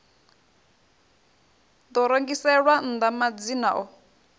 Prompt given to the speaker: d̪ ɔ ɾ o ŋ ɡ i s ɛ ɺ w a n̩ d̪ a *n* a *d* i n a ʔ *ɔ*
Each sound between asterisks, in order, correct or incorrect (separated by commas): incorrect, incorrect, correct